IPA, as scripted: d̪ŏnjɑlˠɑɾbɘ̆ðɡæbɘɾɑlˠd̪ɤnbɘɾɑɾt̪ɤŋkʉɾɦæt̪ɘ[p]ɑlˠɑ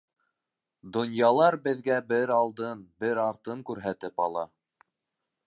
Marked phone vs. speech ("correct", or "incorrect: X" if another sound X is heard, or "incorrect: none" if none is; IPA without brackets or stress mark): correct